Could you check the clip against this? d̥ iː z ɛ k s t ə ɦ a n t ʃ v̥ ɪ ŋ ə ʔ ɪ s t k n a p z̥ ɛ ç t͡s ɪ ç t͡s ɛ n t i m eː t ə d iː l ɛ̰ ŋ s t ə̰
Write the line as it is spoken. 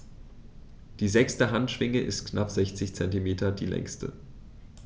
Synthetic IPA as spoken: d̥ iː z ɛ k s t ə ɦ a n t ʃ v̥ ɪ ŋ ə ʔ ɪ s t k n a p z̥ ɛ ç t͡s ɪ ç t͡s ɛ n t i m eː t ɐ d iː l ɛ̰ ŋ s t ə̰